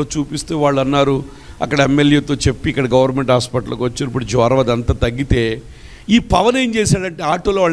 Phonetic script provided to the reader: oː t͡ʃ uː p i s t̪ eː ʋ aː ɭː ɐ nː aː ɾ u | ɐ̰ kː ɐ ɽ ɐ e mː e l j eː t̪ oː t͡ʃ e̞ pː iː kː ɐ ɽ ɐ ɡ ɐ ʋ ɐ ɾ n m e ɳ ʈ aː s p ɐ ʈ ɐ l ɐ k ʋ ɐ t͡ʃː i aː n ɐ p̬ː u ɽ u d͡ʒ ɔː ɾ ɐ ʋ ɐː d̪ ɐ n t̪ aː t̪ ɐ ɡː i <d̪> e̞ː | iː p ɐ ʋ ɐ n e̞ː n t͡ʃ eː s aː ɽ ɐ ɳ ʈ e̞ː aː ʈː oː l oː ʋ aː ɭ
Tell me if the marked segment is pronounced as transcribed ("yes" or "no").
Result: no